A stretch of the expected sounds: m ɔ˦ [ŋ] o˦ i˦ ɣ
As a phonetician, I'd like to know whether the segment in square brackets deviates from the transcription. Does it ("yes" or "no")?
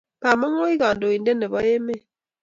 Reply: no